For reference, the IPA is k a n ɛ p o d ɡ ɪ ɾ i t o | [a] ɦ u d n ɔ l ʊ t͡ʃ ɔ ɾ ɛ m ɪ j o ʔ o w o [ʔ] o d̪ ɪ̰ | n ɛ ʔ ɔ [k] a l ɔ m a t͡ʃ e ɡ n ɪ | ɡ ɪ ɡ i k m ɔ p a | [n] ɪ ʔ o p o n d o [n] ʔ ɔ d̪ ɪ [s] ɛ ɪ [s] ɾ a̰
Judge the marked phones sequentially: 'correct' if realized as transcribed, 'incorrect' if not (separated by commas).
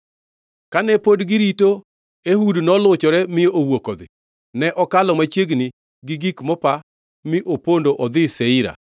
incorrect, incorrect, correct, incorrect, incorrect, correct, incorrect